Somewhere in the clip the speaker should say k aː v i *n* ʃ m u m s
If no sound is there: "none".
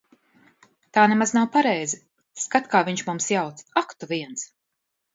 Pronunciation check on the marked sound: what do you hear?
ɲ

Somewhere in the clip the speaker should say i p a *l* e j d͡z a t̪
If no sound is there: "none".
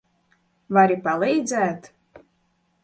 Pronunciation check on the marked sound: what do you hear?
l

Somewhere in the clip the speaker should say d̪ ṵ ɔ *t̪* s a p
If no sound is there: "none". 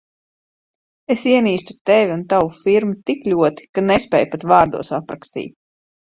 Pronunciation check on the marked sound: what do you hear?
none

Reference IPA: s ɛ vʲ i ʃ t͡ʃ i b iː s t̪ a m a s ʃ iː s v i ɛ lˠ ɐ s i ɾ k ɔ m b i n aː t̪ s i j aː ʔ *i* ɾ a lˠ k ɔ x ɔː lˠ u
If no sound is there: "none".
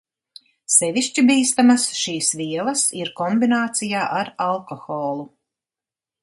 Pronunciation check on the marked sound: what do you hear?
a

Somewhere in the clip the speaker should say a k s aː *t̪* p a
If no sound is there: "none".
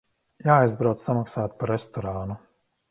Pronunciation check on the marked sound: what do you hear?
t̪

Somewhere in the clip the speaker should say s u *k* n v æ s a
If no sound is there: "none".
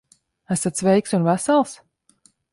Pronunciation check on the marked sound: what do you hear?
none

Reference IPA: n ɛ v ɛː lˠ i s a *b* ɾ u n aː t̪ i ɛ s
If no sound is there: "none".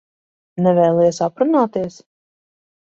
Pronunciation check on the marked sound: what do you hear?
p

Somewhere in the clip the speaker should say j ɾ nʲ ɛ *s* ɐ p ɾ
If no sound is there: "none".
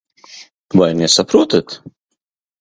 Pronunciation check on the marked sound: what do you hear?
s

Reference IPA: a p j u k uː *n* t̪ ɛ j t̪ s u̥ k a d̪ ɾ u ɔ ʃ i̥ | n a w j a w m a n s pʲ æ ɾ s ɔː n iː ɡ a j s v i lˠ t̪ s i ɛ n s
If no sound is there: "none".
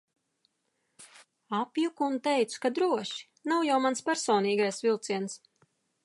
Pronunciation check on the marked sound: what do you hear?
n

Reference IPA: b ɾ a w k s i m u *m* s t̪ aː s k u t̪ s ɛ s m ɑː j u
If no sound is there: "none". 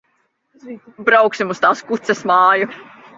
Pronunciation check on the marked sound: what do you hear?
none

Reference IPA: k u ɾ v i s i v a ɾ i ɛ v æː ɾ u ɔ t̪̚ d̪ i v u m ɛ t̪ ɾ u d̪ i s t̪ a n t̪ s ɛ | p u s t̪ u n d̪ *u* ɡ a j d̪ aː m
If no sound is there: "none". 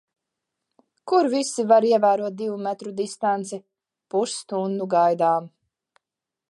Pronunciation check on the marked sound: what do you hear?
u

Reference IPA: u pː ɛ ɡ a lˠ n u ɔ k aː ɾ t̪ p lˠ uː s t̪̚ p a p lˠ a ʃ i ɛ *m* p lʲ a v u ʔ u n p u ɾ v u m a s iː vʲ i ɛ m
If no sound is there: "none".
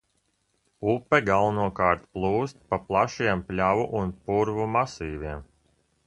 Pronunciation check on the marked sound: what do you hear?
m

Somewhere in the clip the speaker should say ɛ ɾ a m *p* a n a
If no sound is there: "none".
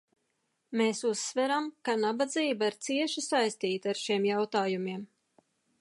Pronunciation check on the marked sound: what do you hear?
k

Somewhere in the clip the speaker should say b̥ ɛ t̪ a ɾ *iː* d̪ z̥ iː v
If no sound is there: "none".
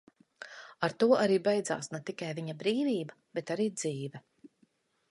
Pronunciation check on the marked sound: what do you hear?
iː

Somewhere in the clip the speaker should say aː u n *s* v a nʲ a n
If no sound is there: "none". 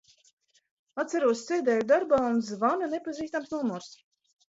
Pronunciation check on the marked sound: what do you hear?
z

